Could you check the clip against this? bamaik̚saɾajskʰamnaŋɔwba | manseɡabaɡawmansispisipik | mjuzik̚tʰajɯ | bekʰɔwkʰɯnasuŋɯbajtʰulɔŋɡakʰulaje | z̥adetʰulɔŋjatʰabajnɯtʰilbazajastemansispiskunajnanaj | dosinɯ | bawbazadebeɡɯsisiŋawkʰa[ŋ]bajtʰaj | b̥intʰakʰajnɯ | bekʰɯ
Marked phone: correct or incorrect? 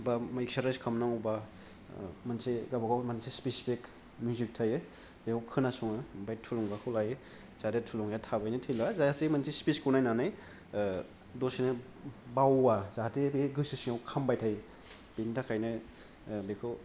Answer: incorrect: m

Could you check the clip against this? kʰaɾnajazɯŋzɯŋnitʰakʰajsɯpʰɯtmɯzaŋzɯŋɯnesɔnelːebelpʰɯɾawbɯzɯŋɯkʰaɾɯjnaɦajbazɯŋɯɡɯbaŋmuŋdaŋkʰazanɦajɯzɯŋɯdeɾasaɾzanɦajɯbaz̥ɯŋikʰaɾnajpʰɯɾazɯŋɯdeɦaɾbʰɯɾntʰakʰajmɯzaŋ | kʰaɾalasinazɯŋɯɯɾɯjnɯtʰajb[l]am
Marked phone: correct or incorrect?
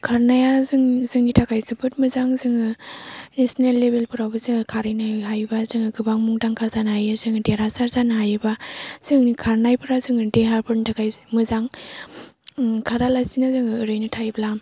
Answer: correct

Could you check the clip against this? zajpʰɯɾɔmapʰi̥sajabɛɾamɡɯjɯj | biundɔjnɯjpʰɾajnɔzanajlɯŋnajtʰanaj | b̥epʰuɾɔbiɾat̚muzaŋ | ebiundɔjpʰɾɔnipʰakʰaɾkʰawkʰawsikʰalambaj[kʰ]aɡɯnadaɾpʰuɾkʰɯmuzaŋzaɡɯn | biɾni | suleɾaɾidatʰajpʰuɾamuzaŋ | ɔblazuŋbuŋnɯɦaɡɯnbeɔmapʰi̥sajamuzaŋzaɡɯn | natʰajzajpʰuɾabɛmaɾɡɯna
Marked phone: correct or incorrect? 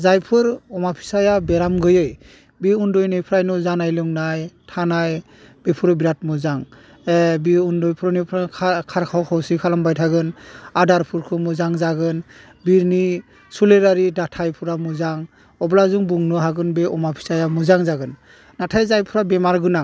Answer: incorrect: tʰ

